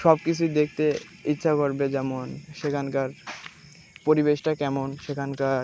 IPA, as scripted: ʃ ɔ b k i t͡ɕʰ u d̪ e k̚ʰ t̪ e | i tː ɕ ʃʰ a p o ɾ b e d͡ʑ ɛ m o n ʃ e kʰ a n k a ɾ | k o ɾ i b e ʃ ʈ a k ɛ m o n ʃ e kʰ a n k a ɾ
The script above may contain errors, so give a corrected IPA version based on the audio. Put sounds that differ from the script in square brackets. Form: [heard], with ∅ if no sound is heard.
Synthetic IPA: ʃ ɔ b k i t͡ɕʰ u d̪ e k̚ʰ t̪ e | i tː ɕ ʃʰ a [k] o ɾ b e d͡ʑ ɛ m o n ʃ e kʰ a n k a ɾ | [p] o ɾ i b e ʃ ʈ a k ɛ m o n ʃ e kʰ a n k a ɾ